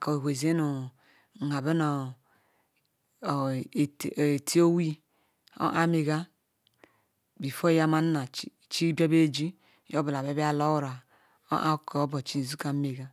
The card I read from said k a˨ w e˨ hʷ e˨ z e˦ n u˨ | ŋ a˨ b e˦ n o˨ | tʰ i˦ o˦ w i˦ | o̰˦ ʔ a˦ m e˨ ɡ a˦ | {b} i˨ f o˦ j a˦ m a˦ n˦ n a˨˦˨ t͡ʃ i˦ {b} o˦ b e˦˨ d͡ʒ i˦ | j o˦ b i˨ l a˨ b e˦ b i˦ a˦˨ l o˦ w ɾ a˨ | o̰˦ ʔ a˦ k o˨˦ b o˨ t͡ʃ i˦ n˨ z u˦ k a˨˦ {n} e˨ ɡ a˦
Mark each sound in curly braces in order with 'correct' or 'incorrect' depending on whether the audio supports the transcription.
correct, correct, incorrect: m

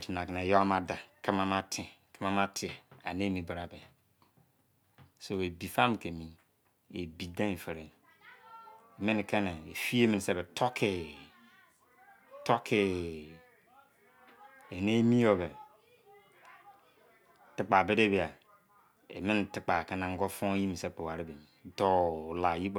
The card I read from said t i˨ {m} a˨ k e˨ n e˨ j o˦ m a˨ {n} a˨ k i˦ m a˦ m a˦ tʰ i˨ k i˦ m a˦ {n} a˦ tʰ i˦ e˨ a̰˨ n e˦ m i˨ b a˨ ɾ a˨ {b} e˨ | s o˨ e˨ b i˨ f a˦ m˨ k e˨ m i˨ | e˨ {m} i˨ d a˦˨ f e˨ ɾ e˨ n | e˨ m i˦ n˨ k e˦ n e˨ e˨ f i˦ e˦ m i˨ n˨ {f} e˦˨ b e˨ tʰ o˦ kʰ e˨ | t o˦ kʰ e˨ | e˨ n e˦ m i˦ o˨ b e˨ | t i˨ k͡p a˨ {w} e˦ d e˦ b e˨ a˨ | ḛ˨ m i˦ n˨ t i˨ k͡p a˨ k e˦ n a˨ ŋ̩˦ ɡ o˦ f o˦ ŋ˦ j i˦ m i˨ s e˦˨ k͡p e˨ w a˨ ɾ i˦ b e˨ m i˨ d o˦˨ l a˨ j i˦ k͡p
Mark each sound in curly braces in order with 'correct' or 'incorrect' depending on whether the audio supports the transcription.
incorrect: n, incorrect: d, incorrect: m, correct, incorrect: b, incorrect: s, incorrect: b

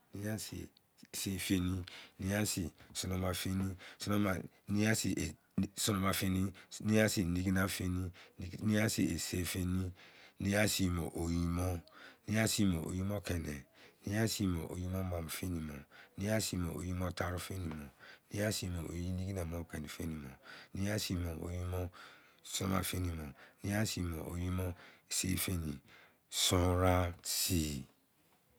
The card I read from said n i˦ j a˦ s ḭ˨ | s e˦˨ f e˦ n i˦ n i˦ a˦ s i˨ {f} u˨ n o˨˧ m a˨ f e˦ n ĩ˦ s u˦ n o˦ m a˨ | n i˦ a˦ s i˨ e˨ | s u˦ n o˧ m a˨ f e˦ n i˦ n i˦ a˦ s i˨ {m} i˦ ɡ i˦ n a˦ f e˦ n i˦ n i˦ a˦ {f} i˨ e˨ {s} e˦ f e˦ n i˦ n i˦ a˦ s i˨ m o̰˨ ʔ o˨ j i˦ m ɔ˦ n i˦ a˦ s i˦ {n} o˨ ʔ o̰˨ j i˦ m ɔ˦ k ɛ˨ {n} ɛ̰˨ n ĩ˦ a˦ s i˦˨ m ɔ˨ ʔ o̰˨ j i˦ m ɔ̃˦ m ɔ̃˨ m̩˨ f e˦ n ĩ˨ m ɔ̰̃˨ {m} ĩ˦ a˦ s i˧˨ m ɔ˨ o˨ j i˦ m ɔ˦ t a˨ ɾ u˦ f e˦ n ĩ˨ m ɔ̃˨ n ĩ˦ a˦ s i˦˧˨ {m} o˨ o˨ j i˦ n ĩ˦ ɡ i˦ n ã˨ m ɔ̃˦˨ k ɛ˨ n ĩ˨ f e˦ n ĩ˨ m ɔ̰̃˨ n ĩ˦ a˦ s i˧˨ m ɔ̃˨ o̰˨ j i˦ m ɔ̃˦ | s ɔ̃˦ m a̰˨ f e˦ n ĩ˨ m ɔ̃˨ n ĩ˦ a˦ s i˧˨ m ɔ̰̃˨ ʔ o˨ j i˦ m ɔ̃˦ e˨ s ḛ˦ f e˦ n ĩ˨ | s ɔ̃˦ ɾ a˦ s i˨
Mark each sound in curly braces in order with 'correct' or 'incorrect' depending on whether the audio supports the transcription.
incorrect: s, incorrect: n, incorrect: s, correct, incorrect: m, correct, incorrect: n, correct

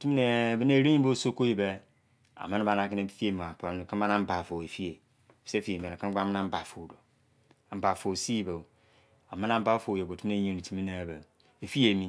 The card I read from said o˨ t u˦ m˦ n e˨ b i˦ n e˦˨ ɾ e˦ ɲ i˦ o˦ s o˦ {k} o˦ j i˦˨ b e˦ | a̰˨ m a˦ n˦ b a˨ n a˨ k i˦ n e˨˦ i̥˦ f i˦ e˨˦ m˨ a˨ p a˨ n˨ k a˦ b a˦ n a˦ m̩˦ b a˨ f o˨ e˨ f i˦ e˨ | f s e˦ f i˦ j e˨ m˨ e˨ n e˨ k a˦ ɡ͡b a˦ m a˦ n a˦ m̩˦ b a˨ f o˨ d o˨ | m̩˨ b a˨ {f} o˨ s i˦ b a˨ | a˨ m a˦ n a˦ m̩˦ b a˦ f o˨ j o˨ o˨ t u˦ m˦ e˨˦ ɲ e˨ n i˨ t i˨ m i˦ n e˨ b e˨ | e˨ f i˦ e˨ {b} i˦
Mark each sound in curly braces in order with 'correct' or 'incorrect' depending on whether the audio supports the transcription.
correct, correct, incorrect: m

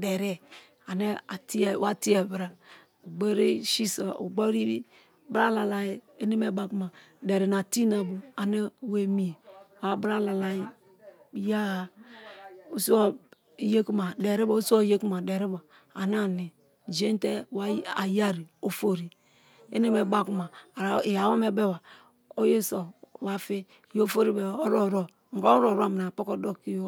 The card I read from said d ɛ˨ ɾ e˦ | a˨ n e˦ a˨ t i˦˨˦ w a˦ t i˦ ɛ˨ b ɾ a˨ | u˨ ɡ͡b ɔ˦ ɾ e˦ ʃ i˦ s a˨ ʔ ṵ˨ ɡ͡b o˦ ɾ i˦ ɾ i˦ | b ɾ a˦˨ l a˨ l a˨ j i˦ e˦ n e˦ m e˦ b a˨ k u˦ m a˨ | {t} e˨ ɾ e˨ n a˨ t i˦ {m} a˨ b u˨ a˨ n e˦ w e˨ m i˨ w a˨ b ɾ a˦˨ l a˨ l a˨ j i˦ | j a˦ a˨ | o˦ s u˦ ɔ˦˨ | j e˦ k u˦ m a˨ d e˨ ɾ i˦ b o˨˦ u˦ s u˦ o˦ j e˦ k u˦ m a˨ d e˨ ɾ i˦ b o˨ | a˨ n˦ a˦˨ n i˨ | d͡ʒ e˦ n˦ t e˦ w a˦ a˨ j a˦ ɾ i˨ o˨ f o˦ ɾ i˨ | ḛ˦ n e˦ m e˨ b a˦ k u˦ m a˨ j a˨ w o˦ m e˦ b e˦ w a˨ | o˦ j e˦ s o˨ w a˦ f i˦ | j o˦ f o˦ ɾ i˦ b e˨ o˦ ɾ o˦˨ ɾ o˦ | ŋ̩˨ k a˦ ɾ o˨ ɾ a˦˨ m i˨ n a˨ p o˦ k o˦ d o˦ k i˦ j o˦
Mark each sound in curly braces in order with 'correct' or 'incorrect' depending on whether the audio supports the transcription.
incorrect: d, incorrect: n

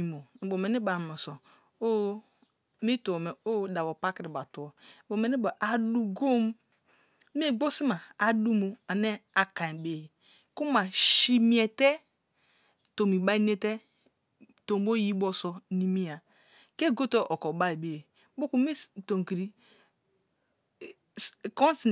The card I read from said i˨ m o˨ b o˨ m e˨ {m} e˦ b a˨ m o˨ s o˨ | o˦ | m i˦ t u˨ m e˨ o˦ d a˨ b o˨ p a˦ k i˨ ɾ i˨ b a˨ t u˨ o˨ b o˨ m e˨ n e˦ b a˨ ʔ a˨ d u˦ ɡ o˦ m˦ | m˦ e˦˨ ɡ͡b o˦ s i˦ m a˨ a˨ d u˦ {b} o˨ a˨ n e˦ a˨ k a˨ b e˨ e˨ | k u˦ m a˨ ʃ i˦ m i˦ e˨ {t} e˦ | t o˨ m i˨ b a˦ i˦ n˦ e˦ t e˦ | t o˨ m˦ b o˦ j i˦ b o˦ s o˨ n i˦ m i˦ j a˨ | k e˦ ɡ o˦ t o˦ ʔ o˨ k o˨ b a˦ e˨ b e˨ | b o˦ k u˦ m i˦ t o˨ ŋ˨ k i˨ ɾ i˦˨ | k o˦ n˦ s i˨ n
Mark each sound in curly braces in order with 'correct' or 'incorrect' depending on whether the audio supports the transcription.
incorrect: n, incorrect: m, correct

